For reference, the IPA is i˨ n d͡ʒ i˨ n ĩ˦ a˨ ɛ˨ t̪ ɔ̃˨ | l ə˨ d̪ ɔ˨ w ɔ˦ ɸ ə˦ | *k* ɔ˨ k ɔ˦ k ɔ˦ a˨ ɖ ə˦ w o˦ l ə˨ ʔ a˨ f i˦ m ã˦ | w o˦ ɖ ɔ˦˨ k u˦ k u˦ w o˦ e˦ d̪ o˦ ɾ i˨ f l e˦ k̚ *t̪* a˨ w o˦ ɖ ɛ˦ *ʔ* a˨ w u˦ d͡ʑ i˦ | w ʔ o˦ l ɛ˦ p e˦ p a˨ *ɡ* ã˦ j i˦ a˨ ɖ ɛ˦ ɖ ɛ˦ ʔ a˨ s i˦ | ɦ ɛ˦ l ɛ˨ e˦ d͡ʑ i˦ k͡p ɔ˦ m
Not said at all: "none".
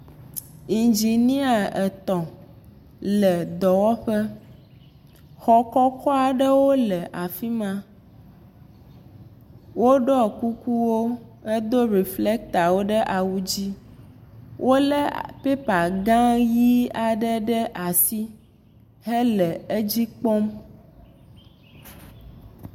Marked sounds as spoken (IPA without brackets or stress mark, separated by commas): x, t̪, ʔ, ɡ